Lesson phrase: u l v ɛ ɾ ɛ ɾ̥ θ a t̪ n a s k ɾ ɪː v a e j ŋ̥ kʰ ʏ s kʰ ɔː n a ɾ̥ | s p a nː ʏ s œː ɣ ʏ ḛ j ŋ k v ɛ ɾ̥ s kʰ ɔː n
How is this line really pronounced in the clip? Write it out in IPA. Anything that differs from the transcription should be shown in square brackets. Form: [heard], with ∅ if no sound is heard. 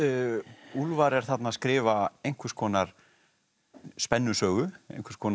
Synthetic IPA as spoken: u l v [a] ɾ ɛ ɾ̥ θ a t̪ n a s k ɾ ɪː v a e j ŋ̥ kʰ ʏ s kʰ ɔː n a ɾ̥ | s p [ɛ] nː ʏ s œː ɣ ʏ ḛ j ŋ k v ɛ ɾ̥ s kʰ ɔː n